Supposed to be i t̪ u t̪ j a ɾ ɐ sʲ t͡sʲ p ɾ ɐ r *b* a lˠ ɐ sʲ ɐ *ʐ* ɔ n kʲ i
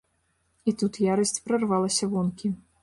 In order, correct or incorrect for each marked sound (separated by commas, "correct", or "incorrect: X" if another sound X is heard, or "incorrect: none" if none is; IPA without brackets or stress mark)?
incorrect: v, incorrect: v